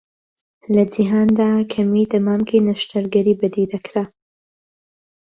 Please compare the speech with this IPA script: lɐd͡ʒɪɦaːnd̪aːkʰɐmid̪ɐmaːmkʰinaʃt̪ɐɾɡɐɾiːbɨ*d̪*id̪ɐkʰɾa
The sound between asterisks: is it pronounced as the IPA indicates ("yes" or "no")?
yes